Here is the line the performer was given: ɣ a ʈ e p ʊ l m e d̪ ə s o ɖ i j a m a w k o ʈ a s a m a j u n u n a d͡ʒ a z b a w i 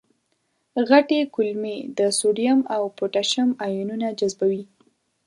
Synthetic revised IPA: ɣ a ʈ e k ʊ l m e d̪ ə s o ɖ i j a m a w p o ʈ a ʃ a m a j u n u n a d͡ʒ a z b a w i